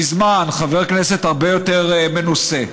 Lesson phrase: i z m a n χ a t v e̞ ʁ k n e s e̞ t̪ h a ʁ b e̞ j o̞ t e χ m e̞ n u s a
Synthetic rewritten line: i z m a n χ a v e̞ ʁ k n e s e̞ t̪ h a ʁ b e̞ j o̞ t e ʁ m e̞ n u s e